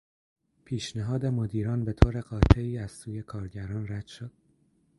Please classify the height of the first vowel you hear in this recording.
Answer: high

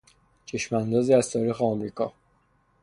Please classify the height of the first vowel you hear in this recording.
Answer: mid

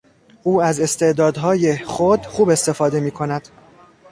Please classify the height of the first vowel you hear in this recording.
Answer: high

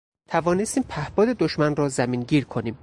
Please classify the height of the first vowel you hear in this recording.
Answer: low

